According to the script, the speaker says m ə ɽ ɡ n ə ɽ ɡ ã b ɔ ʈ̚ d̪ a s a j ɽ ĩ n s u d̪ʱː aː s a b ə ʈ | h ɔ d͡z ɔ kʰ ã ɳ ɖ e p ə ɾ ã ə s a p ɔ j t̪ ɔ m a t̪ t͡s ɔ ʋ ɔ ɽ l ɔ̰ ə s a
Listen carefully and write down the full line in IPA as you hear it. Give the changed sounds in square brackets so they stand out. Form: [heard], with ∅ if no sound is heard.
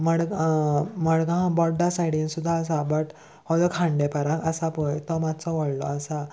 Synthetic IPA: m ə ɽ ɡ [m] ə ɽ ɡ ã b ɔ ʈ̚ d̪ a s a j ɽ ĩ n s u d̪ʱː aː s a b ə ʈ | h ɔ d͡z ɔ kʰ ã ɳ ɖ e p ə ɾ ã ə s a p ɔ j t̪ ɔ m a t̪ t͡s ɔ ʋ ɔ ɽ l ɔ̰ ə s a